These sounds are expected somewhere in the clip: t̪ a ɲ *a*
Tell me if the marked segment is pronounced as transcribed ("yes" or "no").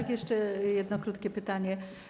no